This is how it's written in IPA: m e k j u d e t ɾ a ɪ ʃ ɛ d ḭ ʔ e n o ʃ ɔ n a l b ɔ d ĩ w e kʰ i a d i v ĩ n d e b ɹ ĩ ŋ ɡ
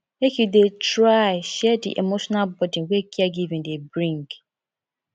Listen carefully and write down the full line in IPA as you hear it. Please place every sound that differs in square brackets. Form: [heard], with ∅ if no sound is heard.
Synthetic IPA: m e k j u d e t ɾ a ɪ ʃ ɛ d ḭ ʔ e [m] o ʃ ɔ n a l b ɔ d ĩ w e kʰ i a [ɡ] i v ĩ n d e b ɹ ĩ ŋ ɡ